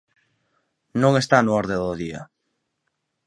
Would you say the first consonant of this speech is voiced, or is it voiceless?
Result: voiced